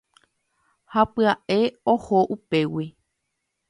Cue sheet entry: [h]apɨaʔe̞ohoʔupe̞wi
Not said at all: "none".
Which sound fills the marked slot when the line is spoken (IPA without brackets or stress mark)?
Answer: h